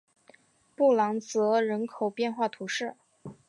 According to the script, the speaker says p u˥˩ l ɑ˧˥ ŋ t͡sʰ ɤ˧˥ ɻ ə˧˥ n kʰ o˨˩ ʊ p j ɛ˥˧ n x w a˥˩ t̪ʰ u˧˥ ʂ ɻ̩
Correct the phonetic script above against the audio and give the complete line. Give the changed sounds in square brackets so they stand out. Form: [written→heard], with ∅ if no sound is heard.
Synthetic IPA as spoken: p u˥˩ l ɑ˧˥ ŋ [t͡sʰ→t͡s] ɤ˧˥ ɻ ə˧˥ n kʰ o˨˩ ʊ p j ɛ˥˧ n x w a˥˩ t̪ʰ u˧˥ ʂ ɻ̩